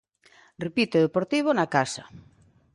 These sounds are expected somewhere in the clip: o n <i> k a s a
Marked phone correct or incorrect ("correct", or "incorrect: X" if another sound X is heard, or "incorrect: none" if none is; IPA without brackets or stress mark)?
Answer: incorrect: a